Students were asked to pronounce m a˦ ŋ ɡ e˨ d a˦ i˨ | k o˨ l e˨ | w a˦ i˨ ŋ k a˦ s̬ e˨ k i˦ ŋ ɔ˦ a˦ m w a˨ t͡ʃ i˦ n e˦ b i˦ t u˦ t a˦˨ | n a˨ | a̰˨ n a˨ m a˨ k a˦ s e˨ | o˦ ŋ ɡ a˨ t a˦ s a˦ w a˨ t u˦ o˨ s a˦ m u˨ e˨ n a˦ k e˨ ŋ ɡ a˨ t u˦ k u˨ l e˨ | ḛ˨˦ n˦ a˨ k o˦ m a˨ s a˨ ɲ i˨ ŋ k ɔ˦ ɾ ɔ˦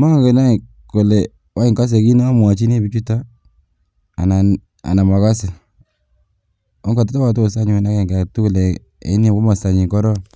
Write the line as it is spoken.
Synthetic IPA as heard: m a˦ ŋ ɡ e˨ n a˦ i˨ | k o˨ l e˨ | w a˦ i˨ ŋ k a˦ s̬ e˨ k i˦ n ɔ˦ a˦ m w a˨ t͡ʃ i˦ n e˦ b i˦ t͡ʃ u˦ t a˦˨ | n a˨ | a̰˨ n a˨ m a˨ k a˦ s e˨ | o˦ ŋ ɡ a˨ t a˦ t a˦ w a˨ t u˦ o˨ s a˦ ɲ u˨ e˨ n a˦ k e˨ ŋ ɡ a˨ t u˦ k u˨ l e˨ | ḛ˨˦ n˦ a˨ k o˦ m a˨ s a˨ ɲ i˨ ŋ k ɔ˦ ɾ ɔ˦

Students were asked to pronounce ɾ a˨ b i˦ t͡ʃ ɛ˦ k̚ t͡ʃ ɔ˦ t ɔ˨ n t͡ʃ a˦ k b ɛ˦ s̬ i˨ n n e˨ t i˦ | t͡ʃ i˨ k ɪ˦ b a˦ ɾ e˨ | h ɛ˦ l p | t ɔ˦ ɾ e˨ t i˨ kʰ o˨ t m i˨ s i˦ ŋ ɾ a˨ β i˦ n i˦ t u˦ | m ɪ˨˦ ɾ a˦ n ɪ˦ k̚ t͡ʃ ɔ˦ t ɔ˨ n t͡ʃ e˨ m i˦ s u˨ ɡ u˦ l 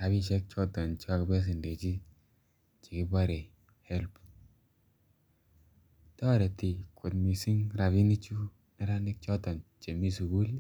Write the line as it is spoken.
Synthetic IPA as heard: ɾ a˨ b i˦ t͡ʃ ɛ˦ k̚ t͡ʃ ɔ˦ t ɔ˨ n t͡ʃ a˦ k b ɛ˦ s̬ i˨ n d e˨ t͡ʃ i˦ | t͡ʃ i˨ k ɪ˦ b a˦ ɾ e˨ | h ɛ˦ l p | t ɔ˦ ɾ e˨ t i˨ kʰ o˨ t m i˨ s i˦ ŋ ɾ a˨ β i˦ n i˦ t͡ʃ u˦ | n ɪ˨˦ ɾ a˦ n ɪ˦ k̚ t͡ʃ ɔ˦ t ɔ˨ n t͡ʃ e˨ m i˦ s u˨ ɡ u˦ l

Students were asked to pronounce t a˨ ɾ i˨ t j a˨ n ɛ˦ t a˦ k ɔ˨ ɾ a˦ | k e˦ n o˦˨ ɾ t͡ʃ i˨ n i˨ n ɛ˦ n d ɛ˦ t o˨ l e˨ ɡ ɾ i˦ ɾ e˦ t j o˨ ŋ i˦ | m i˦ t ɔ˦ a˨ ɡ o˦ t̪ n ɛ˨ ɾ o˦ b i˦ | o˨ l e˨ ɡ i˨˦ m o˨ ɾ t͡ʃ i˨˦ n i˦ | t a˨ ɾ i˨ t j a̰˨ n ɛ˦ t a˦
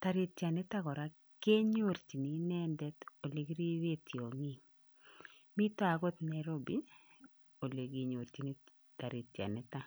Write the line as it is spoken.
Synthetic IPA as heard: t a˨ ɾ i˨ t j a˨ n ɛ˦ t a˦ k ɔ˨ ɾ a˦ | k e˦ ɲ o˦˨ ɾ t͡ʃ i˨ n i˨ n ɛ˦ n d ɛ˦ t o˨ l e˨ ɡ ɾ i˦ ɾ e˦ t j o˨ ŋ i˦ | m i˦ t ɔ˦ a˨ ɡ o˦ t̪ n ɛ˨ ɾ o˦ b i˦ | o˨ l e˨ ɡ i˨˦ ɲ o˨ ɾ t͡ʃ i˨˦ n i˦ | t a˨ ɾ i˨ t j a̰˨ n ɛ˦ t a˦

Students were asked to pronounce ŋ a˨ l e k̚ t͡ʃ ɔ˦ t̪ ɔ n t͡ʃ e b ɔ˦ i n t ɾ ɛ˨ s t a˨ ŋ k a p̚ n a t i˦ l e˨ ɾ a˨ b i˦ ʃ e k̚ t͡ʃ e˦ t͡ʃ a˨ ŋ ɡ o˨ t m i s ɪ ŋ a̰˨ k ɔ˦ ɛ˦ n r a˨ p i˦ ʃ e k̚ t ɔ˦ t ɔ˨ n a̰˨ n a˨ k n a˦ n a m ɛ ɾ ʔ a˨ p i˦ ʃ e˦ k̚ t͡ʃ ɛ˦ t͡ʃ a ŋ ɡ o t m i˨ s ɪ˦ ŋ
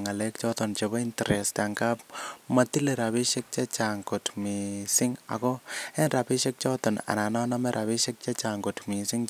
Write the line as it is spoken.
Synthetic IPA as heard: ŋ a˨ l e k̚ t͡ʃ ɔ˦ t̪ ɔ n t͡ʃ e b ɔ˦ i n t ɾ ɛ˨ s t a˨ ŋ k a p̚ m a t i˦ l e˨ ɾ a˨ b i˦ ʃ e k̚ t͡ʃ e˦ t͡ʃ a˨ ŋ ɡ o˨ t m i s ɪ ŋ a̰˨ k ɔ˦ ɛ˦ n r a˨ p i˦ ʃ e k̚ t͡ʃ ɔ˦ t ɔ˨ n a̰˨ n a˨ n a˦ n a m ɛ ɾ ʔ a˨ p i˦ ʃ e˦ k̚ t͡ʃ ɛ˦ t͡ʃ a ŋ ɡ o t m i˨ s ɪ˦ ŋ

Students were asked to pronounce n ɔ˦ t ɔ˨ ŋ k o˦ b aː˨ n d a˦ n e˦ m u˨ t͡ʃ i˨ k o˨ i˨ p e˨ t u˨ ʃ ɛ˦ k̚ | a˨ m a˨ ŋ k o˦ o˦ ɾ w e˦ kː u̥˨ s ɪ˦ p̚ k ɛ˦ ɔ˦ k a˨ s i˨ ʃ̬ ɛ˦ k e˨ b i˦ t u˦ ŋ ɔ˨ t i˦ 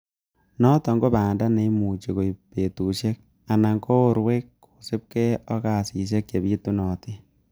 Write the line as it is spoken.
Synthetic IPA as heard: n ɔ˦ t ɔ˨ ŋ ɡ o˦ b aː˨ n d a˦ n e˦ m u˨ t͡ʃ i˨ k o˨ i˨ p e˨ t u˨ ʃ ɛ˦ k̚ | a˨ n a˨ ŋ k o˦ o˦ ɾ w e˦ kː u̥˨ s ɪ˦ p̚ k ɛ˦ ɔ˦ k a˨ s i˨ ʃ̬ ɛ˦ k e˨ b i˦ t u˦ n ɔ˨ t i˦

